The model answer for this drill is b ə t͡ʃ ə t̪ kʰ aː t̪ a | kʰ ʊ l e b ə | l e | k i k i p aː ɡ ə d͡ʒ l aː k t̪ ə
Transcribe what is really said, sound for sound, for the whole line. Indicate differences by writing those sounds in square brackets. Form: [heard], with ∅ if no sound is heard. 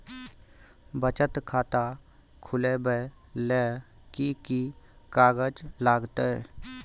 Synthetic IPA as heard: b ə t͡ʃ ə t̪ kʰ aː t̪ a | kʰ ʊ l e b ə | l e | k i k i [k] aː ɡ ə d͡ʒ l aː [ɡ] t̪ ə